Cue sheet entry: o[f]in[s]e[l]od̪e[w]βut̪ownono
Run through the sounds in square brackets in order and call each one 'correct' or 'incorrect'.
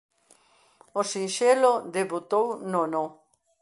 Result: incorrect, incorrect, correct, incorrect

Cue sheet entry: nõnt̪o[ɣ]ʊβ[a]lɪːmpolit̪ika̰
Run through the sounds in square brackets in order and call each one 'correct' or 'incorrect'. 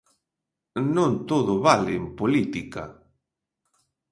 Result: incorrect, correct

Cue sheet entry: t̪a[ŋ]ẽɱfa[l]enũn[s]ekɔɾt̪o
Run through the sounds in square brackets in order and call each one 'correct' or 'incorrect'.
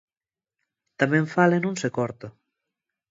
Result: incorrect, correct, correct

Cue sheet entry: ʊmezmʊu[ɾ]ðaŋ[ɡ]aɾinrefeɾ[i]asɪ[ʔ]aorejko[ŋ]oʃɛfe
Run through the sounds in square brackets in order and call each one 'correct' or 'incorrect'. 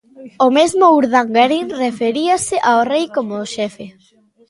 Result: correct, correct, correct, correct, incorrect

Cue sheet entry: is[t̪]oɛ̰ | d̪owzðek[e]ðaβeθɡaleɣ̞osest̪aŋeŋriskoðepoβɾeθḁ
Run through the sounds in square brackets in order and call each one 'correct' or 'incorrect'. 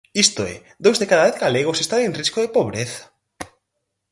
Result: correct, incorrect

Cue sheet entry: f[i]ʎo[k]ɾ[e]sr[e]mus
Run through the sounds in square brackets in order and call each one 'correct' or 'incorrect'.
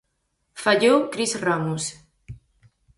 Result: incorrect, correct, incorrect, incorrect

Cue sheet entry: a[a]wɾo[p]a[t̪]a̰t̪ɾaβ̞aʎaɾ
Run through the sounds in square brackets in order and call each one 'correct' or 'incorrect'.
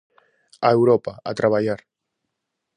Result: incorrect, correct, incorrect

